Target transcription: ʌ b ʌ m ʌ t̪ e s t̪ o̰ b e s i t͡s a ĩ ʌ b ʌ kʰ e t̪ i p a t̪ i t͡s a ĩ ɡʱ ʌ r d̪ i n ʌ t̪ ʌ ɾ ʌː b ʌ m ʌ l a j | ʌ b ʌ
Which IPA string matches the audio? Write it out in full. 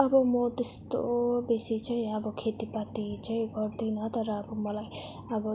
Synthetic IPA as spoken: ʌ b ʌ m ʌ t̪ e s t̪ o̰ b e s i t͡s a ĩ ʌ b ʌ kʰ e t̪ i p a t̪ i t͡s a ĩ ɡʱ ʌ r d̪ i n ʌ t̪ ʌ ɾ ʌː b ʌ m ʌ l a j | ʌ b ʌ